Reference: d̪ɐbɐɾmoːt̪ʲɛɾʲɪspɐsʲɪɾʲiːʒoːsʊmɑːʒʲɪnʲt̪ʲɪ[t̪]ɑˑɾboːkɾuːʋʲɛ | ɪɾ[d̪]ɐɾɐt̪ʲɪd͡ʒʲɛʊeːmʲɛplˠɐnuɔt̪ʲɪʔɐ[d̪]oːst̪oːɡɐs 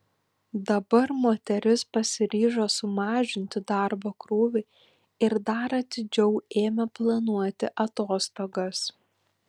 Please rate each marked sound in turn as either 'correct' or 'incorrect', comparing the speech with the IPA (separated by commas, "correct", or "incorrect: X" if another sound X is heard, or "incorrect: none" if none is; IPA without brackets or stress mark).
incorrect: d̪, correct, incorrect: t̪